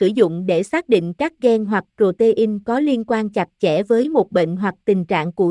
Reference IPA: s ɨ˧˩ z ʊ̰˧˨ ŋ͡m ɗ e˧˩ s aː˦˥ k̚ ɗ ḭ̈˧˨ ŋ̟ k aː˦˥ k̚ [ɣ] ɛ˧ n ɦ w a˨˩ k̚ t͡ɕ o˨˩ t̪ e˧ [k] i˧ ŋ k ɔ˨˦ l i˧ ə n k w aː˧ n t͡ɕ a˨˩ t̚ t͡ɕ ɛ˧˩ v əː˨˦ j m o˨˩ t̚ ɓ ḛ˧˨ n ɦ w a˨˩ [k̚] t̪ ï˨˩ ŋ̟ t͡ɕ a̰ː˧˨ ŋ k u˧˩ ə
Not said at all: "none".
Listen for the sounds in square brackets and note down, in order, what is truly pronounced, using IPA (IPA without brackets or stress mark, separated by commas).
ɣ, ʔ, k̚